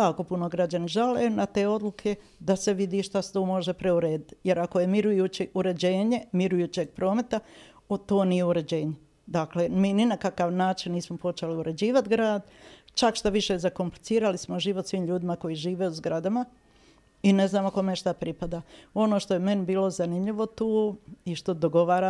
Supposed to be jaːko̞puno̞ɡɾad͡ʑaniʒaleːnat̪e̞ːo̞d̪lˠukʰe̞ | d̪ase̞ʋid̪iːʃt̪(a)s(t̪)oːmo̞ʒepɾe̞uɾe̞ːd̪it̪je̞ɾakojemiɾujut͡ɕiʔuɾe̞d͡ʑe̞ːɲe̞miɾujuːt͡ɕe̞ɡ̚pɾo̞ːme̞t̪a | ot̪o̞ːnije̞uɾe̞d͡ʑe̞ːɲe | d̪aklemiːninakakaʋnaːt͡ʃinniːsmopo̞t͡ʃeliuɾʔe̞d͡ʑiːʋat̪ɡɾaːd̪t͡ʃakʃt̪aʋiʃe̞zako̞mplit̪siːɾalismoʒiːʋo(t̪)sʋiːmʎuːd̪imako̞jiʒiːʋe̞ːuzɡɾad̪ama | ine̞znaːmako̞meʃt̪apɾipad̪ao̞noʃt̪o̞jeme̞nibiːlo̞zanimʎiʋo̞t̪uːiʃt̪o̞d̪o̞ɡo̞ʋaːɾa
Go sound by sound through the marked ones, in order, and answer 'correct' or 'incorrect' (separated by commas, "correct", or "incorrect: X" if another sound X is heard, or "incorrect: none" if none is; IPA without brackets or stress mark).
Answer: correct, correct, correct